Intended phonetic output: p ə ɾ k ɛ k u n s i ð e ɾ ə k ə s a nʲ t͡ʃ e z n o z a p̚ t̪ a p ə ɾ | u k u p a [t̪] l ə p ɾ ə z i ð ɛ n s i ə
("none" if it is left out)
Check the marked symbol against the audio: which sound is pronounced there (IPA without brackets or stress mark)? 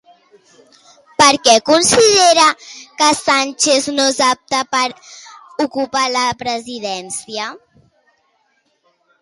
none